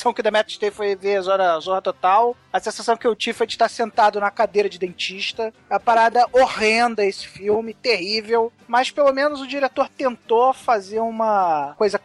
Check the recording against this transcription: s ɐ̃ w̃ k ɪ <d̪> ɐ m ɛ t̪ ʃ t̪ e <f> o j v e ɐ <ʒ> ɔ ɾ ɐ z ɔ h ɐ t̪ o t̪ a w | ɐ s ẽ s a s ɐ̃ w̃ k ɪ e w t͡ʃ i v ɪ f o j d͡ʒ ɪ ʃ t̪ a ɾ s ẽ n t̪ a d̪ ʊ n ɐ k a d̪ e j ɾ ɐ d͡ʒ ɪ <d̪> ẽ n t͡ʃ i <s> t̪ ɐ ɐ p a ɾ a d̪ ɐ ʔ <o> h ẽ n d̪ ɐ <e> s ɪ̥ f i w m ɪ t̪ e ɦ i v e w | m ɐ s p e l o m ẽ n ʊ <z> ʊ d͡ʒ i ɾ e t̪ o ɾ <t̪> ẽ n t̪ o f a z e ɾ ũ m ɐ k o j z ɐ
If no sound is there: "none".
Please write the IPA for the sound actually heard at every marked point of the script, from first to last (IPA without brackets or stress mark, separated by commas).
d̪, f, z, d̪, ʃ, o, e, z, t̪